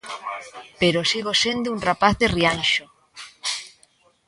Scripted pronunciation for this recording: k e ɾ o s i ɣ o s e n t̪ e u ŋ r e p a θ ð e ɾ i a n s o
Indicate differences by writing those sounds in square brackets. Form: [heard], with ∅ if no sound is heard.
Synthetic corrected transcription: [p] e ɾ o s i ɣ o s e n [d̪] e u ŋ r [a] p a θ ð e [r] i a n [ʃ] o